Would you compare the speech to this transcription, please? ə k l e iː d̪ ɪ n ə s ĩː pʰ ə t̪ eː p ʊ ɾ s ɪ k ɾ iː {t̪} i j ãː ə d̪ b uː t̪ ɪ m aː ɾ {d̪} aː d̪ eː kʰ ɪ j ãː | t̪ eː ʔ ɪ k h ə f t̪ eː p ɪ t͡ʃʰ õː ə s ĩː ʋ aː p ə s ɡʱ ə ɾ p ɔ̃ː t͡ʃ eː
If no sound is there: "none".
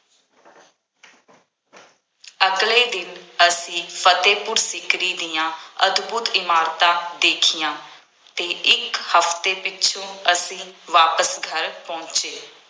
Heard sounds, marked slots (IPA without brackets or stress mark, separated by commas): d̪, t̪